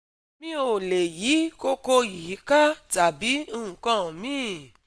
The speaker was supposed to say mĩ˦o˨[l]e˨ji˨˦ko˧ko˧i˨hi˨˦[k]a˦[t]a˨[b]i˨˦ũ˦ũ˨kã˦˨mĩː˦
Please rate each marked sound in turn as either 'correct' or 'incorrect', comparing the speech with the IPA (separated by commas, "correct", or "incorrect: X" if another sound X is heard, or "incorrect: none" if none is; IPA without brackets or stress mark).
correct, correct, correct, correct